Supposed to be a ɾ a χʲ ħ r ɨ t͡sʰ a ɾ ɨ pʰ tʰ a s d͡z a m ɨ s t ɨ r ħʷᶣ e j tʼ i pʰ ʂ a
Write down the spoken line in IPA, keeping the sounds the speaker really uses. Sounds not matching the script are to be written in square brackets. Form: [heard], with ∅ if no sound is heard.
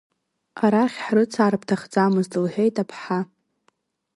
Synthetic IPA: a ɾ a χʲ ħ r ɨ t͡sʰ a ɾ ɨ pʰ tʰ a [χ] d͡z a m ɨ [z] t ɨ [l] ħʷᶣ e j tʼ [a] pʰ [ħ] a